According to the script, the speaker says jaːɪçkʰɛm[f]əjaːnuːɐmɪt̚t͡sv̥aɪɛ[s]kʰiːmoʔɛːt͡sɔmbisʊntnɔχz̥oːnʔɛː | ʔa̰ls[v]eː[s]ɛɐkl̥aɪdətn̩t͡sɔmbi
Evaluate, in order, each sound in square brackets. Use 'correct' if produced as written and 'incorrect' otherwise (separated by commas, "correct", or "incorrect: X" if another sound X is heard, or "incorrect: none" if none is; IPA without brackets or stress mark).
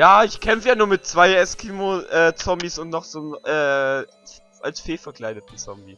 correct, correct, incorrect: f, incorrect: f